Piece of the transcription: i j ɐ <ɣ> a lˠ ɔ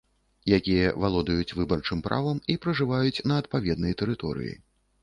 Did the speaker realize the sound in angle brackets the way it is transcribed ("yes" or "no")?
no